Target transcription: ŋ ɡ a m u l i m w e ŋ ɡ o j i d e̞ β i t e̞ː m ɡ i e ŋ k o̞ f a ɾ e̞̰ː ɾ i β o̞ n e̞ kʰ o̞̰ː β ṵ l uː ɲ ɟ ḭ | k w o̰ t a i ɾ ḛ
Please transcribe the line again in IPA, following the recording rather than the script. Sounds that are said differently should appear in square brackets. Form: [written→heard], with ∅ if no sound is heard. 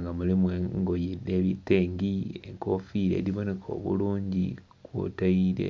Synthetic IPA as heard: ŋ ɡ a m u l i m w e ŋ ɡ o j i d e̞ β i t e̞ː [m→ŋ] ɡ i e ŋ k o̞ f [a→i] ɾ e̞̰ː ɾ i β o̞ n e̞ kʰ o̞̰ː β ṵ l uː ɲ ɟ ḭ | k w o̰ t a i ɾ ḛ